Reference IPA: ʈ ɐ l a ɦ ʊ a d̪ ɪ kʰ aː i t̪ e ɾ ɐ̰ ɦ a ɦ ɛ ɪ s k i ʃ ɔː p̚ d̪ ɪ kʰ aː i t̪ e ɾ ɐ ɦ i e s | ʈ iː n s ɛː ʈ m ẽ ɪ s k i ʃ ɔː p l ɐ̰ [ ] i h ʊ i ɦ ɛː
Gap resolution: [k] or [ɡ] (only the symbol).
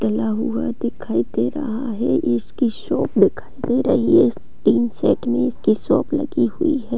ɡ